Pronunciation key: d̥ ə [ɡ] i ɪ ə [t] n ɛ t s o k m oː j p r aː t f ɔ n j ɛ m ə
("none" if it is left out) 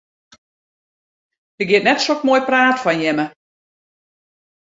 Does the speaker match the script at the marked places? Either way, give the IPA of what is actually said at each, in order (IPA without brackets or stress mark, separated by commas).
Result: ɡ, t